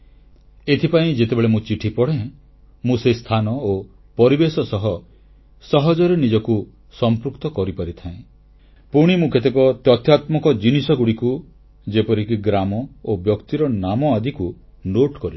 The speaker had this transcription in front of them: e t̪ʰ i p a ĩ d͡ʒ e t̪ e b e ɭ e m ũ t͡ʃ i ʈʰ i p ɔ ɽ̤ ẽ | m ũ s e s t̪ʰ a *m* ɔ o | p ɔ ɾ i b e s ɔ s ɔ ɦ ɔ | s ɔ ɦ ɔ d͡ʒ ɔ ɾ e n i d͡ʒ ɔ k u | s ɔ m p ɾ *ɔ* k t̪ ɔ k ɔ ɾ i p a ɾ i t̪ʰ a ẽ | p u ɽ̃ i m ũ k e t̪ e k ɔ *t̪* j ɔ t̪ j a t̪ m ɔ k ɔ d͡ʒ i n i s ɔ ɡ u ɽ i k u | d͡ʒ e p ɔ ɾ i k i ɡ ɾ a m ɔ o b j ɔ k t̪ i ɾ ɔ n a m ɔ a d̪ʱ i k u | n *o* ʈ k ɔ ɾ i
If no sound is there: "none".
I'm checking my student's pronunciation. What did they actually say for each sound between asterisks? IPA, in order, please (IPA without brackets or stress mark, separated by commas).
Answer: n, u, t̪, o